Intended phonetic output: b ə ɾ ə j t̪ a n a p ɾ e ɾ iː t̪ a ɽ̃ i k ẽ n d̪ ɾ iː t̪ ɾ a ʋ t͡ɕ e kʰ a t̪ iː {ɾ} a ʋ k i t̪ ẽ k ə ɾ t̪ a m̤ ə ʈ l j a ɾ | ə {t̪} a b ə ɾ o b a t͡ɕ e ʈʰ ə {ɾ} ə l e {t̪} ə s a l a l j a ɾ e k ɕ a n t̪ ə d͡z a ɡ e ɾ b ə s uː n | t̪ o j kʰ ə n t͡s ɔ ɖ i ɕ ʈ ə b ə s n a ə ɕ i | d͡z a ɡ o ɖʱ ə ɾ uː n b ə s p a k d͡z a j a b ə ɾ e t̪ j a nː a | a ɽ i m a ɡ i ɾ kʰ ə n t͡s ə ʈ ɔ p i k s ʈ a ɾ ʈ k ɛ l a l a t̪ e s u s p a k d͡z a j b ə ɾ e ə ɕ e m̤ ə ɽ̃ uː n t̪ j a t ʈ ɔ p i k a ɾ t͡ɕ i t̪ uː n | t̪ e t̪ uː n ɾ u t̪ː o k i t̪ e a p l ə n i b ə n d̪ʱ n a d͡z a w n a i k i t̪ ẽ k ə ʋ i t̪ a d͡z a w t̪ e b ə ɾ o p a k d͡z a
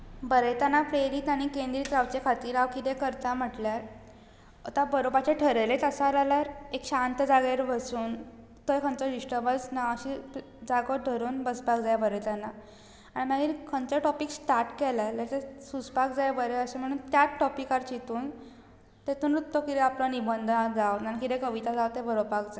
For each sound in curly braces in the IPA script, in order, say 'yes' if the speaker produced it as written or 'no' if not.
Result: yes, yes, yes, yes

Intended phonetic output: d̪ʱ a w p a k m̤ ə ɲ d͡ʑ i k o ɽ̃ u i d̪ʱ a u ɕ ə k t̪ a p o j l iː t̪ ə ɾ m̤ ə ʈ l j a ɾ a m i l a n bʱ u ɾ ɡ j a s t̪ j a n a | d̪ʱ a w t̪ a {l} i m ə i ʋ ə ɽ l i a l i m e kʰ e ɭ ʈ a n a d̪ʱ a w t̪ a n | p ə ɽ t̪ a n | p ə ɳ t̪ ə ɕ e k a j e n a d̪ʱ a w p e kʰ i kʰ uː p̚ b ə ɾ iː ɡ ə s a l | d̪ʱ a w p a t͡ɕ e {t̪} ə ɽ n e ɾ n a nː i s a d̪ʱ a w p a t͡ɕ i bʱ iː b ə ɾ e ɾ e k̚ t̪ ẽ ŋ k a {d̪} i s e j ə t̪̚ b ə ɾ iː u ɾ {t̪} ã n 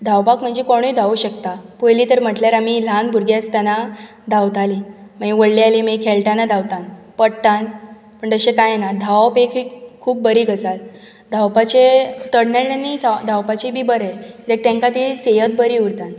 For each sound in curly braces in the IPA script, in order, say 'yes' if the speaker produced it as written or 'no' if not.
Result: yes, yes, no, yes

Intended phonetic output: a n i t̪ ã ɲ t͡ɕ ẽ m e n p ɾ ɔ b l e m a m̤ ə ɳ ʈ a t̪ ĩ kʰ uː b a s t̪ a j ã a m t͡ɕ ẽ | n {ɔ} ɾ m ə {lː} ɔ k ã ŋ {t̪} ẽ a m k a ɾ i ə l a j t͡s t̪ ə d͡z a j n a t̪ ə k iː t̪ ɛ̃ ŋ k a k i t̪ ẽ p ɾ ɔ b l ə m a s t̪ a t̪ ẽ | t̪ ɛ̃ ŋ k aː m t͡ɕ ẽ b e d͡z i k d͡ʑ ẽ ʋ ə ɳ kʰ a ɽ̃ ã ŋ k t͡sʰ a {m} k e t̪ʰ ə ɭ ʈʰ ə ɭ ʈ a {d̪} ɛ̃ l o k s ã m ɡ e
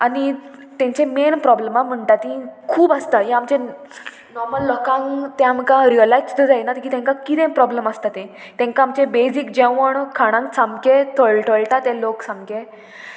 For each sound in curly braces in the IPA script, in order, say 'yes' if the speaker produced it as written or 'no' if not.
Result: yes, yes, yes, yes, no

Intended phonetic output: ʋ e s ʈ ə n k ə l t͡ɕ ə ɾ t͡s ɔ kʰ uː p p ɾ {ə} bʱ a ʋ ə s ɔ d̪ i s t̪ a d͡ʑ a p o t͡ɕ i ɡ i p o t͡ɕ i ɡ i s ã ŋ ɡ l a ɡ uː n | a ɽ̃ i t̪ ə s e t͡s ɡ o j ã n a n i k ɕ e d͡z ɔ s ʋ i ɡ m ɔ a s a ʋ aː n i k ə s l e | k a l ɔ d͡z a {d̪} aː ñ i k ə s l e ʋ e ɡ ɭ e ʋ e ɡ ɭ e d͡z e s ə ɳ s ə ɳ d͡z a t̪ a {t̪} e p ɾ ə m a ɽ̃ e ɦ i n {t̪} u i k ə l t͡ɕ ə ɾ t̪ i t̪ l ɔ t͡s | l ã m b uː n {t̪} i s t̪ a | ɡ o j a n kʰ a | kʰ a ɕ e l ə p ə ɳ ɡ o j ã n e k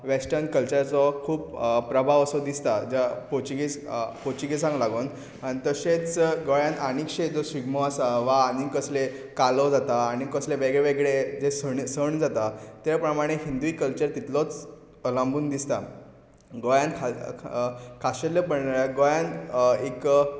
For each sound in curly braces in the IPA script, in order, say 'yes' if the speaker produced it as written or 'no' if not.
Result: yes, no, yes, no, no

